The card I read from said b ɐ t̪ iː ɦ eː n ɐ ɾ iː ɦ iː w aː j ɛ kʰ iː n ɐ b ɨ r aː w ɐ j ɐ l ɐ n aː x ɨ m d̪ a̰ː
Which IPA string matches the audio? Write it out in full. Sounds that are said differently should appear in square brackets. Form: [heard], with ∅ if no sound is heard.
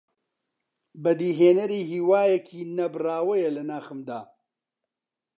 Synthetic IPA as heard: b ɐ [d̪] iː ɦ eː n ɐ ɾ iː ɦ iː w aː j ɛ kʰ iː n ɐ b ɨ r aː w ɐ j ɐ l ɐ n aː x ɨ m d̪ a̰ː